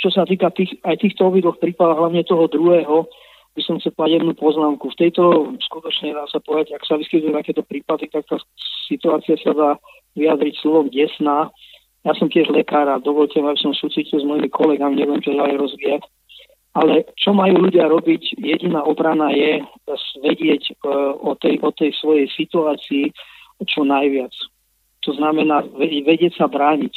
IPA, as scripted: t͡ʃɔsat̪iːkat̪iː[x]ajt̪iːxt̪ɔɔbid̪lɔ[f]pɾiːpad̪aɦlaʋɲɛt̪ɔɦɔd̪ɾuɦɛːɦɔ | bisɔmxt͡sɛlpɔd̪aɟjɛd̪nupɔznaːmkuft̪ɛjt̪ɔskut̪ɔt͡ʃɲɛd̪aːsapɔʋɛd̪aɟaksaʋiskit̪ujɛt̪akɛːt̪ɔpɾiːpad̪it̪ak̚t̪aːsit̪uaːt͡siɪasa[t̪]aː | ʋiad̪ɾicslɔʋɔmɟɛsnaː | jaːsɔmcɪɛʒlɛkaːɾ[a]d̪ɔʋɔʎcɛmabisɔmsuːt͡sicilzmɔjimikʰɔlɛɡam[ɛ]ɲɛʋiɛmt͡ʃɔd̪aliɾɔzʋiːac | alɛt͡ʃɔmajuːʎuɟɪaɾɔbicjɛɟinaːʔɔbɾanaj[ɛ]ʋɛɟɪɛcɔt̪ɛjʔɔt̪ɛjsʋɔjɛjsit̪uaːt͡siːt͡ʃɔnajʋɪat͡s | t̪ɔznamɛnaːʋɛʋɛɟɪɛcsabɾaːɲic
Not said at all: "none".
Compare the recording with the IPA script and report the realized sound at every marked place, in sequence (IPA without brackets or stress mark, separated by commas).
x, x, d̪, a, i, ɛ